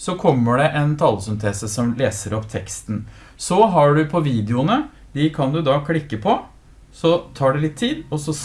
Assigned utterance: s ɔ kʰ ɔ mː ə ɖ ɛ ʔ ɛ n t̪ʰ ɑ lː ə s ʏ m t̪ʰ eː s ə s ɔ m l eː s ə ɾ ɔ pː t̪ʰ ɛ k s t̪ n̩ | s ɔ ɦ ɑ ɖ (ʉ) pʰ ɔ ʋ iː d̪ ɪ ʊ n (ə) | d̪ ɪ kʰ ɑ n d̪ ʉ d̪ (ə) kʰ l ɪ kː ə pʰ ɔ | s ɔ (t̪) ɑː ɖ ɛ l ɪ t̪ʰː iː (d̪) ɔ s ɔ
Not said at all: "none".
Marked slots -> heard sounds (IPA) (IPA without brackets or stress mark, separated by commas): ʉ, ə, ɑ, t̪ʰ, d̪